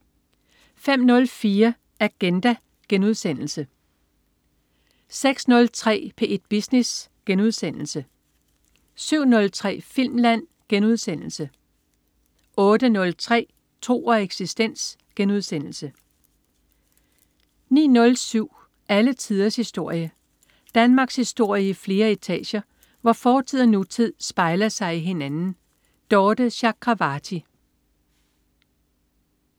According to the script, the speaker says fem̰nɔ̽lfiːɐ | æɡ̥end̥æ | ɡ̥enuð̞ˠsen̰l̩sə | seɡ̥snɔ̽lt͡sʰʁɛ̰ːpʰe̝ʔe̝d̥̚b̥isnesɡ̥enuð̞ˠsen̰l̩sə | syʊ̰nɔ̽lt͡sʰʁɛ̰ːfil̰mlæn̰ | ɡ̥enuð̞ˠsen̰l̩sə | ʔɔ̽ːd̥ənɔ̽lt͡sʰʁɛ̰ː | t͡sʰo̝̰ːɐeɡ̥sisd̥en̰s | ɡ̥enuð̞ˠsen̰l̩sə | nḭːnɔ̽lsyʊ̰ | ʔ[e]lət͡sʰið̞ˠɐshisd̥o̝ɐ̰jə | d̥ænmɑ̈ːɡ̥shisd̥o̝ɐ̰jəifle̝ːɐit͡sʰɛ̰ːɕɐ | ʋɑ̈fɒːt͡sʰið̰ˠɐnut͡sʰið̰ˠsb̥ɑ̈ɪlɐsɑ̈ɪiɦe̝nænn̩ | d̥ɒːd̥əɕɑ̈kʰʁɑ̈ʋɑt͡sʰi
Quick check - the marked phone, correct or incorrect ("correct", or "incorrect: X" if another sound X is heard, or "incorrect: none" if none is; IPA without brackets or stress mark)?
incorrect: æ